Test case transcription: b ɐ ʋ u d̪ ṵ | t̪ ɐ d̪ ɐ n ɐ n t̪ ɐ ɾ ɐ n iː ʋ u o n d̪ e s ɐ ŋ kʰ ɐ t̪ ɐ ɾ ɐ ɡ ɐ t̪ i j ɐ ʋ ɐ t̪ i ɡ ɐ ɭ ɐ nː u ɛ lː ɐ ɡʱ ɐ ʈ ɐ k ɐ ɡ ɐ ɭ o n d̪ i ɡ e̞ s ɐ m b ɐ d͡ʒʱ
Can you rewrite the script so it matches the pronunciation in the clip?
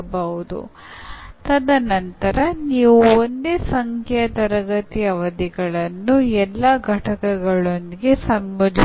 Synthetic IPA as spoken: b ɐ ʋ u d̪ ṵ | t̪ ɐ d̪ ɐ n ɐ n t̪ ɐ ɾ ɐ n iː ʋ u o n d̪ e s ɐ ŋ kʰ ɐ t̪ ɐ ɾ ɐ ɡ ɐ t̪ i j ɐ ʋ ɐ d̪ i ɡ ɐ ɭ ɐ nː u ɛ lː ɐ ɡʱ ɐ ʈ ɐ k ɐ ɡ ɐ ɭ o n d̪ i ɡ e̞ s ɐ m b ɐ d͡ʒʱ